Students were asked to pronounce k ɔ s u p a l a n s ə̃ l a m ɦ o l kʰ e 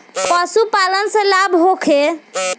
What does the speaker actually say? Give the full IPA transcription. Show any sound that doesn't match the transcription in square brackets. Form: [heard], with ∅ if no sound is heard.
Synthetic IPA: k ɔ s u p a l [ə] n s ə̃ l a [b] ɦ o [∅] kʰ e